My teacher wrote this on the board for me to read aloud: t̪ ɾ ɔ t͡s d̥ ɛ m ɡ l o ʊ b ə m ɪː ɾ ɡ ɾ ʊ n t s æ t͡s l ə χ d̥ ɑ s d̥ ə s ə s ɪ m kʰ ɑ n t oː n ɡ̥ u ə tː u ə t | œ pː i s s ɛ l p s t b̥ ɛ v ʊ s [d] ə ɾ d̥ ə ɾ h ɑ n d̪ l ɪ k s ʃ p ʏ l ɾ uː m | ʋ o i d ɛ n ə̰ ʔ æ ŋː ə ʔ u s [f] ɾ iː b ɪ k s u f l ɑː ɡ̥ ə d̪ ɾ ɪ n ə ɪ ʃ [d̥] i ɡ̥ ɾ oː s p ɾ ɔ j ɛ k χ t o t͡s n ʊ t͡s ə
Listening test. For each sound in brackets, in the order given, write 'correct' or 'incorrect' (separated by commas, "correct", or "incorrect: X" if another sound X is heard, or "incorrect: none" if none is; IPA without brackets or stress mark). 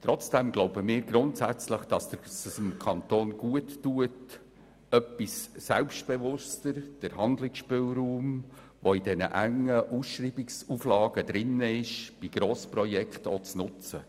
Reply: incorrect: t, incorrect: ʃ, incorrect: b̥